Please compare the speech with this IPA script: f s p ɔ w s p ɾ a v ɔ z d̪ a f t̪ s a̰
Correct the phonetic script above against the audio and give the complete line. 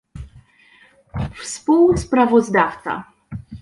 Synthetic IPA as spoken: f s p u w s p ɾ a v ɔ z d̪ a f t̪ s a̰